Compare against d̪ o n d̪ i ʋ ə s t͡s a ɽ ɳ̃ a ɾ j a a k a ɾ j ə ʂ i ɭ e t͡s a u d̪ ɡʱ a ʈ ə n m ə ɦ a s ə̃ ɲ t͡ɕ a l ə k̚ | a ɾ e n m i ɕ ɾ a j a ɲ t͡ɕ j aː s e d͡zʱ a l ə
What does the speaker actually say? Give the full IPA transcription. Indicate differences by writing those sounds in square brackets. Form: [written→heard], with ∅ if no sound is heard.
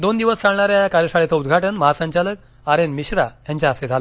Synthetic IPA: d̪ o n d̪ i ʋ ə s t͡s a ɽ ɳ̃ a ɾ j a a k a ɾ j ə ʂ [i→a] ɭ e t͡s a u d̪ ɡʱ a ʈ ə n m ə ɦ a s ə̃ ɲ t͡ɕ a l ə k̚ | a ɾ e n m i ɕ ɾ a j a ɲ t͡ɕ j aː s e d͡zʱ a l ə